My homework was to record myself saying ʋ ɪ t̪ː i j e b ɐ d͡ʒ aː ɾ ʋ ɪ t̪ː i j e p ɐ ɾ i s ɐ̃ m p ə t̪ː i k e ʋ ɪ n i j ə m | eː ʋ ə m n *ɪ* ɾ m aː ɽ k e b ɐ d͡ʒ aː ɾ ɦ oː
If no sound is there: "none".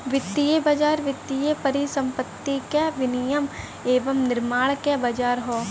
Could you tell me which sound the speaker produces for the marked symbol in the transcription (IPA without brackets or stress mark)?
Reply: ɪ